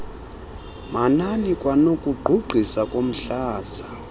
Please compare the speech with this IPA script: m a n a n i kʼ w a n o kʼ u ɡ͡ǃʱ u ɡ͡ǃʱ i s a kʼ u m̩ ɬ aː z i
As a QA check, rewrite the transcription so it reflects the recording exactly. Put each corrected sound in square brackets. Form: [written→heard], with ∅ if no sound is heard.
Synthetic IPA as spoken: m a n a n i kʼ w a n o kʼ u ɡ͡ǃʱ u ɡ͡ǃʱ i s a kʼ [u→o] m̩ ɬ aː z [i→a]